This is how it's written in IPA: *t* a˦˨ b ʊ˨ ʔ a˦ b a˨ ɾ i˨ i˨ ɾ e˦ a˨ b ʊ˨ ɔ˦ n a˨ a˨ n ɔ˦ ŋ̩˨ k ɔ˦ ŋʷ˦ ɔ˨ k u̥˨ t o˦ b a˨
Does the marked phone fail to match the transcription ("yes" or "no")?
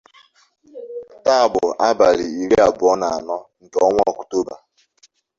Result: no